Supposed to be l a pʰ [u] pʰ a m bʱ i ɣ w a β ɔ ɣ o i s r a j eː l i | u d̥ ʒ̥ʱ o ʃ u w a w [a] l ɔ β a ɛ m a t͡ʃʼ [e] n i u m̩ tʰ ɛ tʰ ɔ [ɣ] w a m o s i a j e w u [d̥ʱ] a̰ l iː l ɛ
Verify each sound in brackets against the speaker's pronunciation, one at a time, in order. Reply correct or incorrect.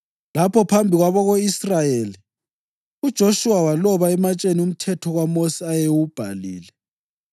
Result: incorrect, correct, correct, correct, incorrect

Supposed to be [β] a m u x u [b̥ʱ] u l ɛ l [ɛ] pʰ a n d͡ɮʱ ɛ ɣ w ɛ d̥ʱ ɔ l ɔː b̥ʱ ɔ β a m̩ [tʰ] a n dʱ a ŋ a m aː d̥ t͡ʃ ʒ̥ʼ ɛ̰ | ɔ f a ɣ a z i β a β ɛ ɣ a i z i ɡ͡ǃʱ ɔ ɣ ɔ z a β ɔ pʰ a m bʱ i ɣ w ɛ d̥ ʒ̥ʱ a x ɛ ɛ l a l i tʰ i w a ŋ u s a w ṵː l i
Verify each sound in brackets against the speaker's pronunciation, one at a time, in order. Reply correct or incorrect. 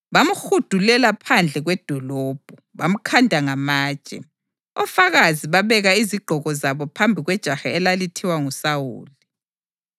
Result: correct, incorrect, incorrect, incorrect

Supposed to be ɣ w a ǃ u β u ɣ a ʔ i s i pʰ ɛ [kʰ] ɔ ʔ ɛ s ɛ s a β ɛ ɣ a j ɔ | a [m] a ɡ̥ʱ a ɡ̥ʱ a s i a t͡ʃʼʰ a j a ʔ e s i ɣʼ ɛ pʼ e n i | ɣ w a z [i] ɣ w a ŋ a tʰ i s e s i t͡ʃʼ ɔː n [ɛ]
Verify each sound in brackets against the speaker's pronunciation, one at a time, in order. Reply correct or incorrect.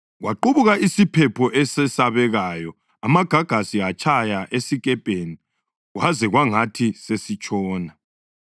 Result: incorrect, correct, incorrect, incorrect

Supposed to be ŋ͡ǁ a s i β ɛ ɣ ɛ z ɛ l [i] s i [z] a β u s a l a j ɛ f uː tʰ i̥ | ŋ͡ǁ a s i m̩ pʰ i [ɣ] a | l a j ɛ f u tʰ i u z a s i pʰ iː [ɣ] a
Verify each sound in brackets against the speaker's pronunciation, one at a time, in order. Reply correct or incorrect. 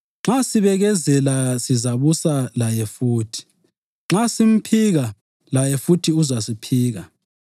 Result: incorrect, correct, correct, correct

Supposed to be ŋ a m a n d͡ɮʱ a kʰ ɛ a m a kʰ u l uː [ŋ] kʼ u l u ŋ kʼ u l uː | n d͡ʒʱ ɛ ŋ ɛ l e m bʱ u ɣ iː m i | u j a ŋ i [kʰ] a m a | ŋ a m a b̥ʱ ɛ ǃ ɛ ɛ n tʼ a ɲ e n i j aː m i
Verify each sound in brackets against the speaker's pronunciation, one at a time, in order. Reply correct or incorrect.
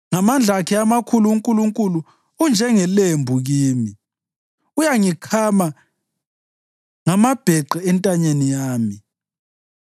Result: correct, correct

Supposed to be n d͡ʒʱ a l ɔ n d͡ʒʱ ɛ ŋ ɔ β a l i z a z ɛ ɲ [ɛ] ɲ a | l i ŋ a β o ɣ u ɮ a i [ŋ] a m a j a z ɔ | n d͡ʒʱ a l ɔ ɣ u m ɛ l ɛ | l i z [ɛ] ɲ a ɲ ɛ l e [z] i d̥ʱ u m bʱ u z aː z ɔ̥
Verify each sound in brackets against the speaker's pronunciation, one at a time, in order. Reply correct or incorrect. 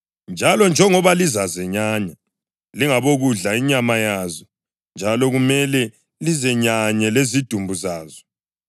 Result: incorrect, incorrect, correct, correct

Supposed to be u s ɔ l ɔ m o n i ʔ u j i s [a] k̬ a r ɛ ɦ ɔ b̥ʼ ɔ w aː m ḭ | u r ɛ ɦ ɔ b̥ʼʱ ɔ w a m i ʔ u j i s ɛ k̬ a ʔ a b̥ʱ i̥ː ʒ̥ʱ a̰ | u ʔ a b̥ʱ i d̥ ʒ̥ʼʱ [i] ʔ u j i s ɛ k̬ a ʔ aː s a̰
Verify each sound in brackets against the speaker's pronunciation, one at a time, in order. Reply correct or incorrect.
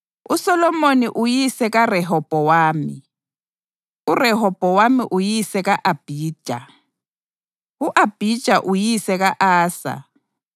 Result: incorrect, incorrect

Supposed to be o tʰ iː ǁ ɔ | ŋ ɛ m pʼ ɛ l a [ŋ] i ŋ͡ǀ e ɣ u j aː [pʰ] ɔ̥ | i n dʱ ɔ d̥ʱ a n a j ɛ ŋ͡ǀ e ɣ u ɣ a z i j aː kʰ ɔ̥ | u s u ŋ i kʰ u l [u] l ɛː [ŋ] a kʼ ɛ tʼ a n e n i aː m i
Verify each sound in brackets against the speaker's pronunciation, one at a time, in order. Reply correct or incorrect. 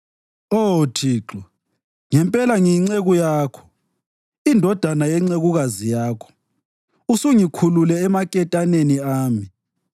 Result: correct, incorrect, correct, incorrect

